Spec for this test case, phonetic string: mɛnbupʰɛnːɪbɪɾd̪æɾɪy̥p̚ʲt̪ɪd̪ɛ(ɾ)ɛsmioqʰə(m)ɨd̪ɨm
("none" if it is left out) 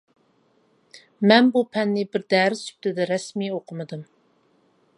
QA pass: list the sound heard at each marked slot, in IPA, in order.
ɾ, m

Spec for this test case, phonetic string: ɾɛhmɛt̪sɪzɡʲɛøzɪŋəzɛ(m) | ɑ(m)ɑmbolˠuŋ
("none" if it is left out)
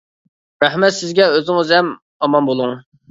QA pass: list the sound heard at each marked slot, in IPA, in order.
m, m

